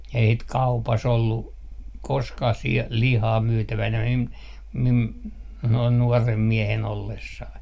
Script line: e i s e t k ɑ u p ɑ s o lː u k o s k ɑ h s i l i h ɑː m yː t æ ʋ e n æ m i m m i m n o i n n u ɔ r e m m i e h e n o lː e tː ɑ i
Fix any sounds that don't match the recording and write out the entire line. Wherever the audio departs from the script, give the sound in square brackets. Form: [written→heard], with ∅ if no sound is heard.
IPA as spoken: e i s [e→i] t k ɑ u p ɑ s o lː u k o s k ɑ h s i l i h ɑː m yː t æ ʋ [e→æ] n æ m i m m i m n o i n n u ɔ r e m m i e h e n o lː e [tː→sː] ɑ i